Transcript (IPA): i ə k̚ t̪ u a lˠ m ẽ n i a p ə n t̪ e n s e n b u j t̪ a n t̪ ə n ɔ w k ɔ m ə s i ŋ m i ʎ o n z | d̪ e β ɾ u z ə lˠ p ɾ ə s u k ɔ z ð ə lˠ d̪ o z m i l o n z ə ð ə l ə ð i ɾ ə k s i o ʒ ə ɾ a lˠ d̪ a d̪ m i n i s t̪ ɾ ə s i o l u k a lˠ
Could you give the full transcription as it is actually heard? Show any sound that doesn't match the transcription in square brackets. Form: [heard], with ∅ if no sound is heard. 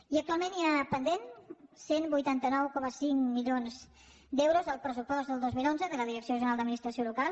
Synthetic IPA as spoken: i ə k̚ t̪ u a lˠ m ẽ n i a p ə n [d̪] e n s e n b u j t̪ a n t̪ ə n ɔ w k ɔ m ə s i ŋ m i ʎ o n z | d̪ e [w] ɾ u z ə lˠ p ɾ ə s u [p] ɔ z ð ə lˠ d̪ o z m i l o n z ə ð ə l ə ð i ɾ ə k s i o ʒ ə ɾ a lˠ d̪ [ə] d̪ m i n i s t̪ ɾ ə s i o l u k a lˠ